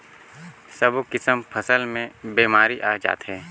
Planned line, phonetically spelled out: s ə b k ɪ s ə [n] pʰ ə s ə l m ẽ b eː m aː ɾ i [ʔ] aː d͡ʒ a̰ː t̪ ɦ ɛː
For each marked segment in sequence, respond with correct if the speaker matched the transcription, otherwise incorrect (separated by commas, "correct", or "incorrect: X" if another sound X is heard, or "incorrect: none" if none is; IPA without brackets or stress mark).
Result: incorrect: m, correct